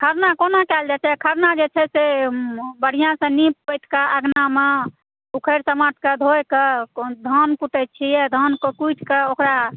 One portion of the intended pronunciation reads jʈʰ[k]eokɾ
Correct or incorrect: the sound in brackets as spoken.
correct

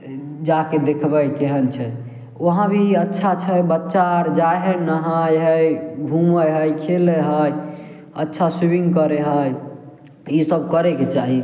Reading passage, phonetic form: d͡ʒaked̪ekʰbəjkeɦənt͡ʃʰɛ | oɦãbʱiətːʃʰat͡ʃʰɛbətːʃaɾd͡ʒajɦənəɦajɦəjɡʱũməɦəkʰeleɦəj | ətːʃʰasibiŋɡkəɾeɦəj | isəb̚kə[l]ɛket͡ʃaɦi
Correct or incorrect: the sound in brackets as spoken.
incorrect: ɾ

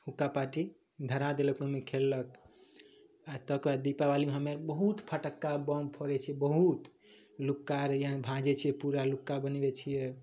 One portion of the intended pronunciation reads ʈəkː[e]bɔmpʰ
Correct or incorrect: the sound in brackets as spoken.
incorrect: a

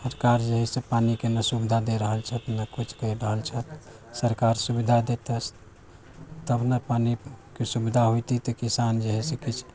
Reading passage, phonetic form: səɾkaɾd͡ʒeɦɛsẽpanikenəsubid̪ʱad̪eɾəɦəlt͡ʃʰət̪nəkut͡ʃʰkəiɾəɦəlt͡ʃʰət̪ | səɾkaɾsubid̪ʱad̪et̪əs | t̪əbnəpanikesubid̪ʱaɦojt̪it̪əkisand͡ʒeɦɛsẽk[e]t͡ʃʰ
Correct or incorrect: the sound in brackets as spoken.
incorrect: i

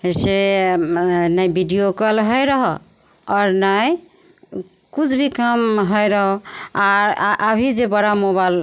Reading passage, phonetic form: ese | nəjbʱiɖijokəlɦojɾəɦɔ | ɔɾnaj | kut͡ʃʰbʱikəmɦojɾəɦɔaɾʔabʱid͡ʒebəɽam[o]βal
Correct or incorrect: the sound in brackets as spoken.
correct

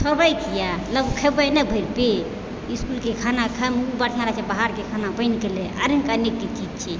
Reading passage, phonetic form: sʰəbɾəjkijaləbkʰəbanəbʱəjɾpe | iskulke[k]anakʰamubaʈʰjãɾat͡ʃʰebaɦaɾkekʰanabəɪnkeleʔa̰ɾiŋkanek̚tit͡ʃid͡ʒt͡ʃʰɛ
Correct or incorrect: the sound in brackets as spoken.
incorrect: kʰ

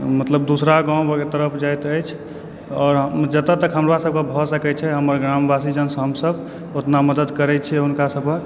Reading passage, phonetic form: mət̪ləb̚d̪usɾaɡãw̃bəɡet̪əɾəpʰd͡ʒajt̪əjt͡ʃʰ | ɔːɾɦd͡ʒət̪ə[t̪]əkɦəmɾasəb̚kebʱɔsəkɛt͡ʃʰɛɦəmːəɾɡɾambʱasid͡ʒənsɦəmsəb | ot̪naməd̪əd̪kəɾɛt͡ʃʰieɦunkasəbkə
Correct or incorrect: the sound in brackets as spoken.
correct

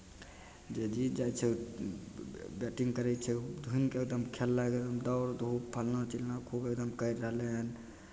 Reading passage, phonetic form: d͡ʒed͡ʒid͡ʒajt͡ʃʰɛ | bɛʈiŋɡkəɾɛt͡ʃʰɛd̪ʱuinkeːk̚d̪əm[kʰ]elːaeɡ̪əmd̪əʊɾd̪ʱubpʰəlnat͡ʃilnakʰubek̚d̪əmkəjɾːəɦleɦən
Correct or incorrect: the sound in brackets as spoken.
correct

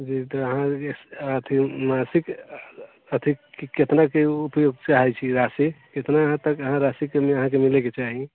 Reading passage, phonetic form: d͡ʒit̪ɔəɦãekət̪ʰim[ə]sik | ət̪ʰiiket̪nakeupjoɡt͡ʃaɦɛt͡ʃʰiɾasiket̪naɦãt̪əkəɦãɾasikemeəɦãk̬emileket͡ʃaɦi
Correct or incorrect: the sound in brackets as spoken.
incorrect: a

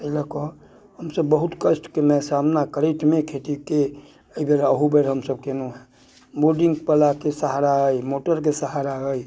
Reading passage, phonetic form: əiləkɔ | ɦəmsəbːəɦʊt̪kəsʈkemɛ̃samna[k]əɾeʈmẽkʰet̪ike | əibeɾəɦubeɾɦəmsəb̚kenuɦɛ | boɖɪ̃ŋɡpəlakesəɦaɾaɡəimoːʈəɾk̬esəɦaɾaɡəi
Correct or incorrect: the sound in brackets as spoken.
correct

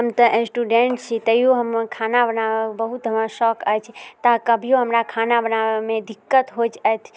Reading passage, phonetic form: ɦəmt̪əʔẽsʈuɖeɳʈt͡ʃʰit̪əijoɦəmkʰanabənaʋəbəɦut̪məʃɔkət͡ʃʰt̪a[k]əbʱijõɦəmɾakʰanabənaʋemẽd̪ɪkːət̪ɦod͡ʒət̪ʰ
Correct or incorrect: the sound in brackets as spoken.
correct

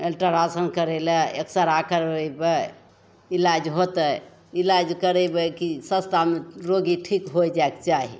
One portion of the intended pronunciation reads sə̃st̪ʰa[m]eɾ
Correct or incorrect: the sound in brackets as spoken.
correct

